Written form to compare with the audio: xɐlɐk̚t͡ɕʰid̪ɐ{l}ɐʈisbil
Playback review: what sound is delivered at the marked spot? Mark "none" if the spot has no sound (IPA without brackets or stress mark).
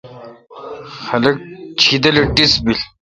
l